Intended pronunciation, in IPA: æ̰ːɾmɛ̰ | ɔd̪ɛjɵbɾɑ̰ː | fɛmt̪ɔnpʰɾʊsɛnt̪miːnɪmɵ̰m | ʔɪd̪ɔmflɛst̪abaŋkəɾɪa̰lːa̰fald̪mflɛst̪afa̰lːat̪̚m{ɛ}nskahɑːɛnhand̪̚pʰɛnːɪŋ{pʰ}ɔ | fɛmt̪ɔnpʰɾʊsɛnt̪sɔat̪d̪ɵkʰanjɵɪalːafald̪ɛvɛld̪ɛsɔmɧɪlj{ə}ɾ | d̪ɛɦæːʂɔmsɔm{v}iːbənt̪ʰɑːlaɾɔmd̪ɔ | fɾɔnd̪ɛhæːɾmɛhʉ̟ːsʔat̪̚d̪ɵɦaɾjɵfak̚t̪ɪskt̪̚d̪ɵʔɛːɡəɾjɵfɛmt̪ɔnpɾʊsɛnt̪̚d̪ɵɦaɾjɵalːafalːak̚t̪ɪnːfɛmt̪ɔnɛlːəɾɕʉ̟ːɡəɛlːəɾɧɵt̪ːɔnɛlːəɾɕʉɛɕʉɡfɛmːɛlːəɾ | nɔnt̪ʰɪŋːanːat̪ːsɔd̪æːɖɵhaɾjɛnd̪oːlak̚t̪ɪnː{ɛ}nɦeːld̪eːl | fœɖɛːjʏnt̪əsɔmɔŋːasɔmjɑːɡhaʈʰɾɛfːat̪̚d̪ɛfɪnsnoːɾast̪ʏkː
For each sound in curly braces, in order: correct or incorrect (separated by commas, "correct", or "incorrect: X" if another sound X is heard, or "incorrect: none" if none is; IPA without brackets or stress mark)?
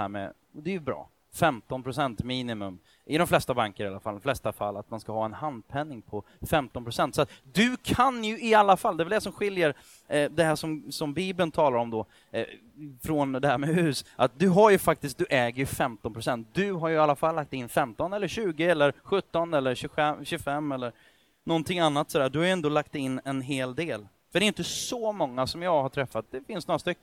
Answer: incorrect: a, correct, correct, incorrect: b, correct